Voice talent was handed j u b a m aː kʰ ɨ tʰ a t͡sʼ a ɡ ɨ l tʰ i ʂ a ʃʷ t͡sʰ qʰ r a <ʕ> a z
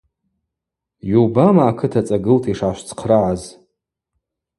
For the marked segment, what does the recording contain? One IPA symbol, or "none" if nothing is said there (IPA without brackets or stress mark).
ʕ